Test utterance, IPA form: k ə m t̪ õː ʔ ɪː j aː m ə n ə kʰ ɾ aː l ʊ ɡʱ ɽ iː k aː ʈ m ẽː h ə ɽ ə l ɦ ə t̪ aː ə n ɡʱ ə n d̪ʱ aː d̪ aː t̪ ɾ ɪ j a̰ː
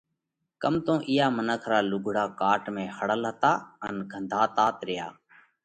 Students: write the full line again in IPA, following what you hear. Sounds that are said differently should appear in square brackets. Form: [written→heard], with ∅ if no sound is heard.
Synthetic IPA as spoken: k ə m t̪ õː ʔ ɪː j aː m ə n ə kʰ ɾ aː l ʊ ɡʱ ɽ [iː→aː] k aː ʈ m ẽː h ə ɽ ə l ɦ ə t̪ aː ə n ɡʱ ə n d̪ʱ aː [d̪→t̪] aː t̪ ɾ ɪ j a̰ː